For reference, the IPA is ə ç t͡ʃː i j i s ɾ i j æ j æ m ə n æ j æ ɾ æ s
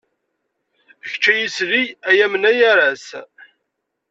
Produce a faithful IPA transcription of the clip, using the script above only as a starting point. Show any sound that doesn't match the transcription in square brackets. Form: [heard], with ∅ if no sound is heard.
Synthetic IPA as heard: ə ç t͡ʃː [æ] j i s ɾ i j æ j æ m ə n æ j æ ɾ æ s